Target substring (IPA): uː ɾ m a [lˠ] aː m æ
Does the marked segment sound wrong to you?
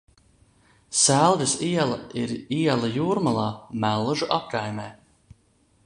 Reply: no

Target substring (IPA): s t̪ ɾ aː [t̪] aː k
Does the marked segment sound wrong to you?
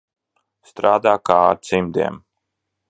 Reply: yes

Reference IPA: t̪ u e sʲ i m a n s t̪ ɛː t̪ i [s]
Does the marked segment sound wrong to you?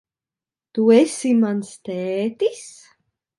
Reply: no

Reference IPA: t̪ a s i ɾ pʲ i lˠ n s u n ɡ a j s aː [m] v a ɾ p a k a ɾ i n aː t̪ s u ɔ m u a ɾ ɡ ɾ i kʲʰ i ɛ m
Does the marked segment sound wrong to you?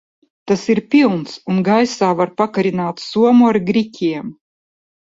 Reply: yes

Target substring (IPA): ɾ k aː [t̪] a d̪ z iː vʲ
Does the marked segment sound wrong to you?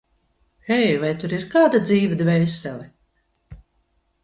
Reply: yes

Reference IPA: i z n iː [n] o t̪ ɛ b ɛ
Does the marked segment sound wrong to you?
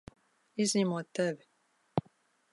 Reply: yes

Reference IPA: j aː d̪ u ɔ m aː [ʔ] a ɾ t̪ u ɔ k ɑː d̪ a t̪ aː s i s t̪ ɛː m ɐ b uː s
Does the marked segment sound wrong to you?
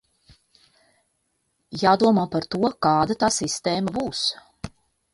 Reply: yes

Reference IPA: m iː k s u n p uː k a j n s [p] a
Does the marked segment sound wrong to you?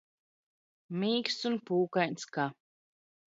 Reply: yes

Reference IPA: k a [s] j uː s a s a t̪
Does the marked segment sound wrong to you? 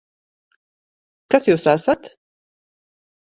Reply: no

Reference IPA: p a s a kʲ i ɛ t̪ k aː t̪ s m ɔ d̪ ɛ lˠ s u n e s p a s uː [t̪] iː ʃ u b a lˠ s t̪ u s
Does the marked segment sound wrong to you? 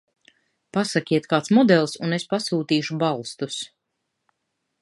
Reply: no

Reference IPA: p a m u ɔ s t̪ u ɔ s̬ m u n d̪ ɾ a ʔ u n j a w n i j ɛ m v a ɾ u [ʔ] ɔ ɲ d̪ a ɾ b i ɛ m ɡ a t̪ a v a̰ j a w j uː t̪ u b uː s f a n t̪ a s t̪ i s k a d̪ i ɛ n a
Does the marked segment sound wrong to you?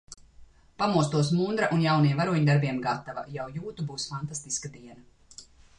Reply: yes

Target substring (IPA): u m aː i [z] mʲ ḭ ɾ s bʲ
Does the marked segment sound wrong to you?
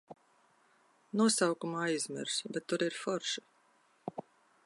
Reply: no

